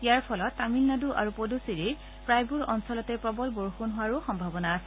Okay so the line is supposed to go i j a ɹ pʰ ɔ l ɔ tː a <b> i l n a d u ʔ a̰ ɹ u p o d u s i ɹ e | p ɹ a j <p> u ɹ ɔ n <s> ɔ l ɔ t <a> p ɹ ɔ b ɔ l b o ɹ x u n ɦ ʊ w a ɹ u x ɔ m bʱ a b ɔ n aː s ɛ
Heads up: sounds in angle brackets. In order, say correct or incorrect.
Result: incorrect: m, incorrect: b, correct, incorrect: ɛ

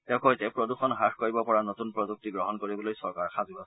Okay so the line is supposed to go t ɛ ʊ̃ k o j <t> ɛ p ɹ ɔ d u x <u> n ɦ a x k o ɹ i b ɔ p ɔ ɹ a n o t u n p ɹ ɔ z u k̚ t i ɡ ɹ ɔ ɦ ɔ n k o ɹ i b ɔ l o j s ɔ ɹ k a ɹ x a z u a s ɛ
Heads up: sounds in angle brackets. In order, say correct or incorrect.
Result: correct, incorrect: ɔ

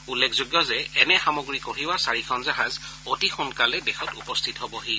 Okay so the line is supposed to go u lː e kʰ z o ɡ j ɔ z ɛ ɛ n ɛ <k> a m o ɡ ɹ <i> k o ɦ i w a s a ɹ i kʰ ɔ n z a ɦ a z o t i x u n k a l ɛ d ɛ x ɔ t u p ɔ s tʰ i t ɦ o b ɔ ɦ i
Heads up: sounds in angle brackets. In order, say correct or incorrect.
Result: incorrect: x, correct

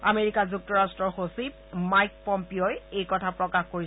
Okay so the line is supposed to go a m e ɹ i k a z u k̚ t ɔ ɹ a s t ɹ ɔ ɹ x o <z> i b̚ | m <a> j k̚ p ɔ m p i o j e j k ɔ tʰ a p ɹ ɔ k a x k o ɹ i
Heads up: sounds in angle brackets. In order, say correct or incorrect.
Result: incorrect: s, correct

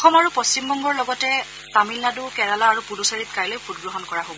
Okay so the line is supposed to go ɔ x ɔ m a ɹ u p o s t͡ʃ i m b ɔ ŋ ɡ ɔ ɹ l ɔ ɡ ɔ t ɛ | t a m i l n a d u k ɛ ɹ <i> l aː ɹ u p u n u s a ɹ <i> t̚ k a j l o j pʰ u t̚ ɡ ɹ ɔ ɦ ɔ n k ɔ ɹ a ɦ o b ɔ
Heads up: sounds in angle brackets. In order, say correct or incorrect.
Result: incorrect: a, correct

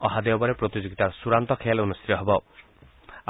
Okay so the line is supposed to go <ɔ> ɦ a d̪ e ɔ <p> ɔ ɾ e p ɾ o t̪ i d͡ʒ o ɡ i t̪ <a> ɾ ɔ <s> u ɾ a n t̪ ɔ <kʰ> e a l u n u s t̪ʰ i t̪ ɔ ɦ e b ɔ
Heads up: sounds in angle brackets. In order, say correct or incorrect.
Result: correct, incorrect: b, correct, correct, correct

